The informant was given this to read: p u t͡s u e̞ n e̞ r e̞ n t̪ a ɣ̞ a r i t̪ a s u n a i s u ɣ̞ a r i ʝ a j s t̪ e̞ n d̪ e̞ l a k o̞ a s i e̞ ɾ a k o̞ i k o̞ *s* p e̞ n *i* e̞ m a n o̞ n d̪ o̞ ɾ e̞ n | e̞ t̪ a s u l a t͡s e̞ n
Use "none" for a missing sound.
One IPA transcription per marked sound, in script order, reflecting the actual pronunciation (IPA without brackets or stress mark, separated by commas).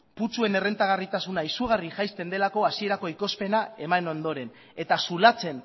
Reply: s, a